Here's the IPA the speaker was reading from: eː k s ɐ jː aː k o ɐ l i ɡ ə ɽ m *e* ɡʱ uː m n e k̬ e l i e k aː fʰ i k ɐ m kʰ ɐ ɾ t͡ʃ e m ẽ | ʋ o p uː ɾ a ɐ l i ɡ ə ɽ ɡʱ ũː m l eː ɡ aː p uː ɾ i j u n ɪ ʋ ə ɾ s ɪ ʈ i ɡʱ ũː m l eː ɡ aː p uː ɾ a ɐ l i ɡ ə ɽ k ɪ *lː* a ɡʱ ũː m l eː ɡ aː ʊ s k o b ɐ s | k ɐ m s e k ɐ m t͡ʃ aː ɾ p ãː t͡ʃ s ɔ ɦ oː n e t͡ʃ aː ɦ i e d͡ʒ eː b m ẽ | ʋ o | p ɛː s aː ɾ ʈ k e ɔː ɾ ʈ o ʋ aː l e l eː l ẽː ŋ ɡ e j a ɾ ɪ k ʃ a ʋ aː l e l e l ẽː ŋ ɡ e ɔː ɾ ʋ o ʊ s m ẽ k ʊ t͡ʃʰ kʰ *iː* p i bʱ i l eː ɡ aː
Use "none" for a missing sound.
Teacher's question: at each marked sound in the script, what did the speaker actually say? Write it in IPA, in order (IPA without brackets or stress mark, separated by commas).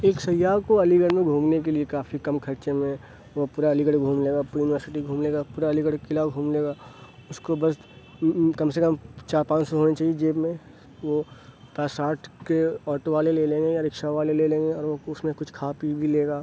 ẽ, l, aː